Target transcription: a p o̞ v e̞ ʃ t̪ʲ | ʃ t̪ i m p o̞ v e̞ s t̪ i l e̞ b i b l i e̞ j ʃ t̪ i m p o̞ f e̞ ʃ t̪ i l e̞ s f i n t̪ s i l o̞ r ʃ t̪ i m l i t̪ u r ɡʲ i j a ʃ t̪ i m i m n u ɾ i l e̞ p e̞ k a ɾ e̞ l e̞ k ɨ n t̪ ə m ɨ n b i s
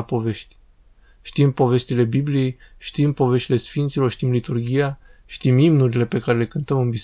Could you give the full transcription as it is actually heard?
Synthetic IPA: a p o̞ v e̞ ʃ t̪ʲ | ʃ t̪ i m p o̞ v e̞ s t̪ i l e̞ b i b l i e̞ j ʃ t̪ i m p o̞ v e̞ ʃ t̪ i l e̞ s f i n t̪ s i l o̞ r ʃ t̪ i m l i t̪ u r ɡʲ i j a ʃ t̪ i m i m n u ɾ i l e̞ p e̞ k a ɾ e̞ l e̞ k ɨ n t̪ ə m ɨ n b i s